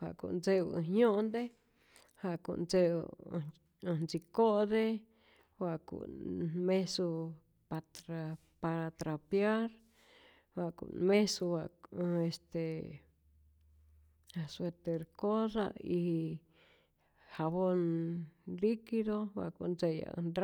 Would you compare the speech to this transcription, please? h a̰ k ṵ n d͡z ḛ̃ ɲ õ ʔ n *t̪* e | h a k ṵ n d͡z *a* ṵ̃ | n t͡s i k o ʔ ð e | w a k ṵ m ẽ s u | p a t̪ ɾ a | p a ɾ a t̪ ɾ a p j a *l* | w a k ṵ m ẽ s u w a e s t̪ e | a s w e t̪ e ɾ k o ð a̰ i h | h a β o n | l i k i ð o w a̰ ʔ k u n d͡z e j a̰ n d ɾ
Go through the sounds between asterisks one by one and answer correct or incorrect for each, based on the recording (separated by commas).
incorrect, incorrect, incorrect